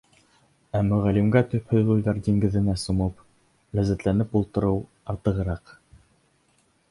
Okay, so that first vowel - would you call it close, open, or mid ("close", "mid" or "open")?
open